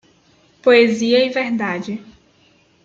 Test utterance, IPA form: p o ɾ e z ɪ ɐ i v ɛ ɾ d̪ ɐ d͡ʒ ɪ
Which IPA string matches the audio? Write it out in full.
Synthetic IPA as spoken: p o e z i ɐ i v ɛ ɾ d̪ a d͡ʒ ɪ